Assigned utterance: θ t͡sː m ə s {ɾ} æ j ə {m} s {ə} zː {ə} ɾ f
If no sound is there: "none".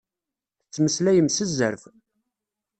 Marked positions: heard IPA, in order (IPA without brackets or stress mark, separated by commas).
l, m, ə, ə